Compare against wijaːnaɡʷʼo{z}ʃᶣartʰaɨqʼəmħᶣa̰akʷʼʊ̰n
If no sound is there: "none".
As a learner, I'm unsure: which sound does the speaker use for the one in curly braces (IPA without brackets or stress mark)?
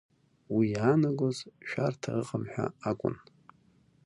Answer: z